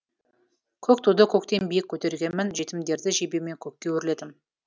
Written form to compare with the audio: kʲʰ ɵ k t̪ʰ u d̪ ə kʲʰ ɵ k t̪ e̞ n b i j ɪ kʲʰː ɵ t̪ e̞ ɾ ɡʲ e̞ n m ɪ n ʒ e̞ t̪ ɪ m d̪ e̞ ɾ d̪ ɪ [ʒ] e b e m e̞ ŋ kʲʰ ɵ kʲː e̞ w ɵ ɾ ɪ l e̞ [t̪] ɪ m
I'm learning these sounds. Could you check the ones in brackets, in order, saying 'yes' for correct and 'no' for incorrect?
yes, no

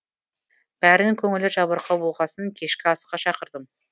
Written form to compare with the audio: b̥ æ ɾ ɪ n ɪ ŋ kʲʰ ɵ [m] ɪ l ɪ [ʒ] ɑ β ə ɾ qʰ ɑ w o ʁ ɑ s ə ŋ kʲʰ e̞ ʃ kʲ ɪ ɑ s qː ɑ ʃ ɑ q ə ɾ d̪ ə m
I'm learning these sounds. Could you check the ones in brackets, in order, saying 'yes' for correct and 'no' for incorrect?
no, yes

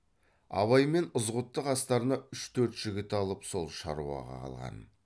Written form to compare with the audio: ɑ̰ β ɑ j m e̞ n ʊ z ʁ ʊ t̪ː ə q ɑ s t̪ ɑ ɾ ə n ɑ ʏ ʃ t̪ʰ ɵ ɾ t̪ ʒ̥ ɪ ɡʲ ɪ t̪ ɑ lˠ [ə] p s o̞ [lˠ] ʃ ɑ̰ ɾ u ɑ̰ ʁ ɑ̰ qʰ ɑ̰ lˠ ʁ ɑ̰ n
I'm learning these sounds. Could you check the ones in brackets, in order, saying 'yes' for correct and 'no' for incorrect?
yes, yes

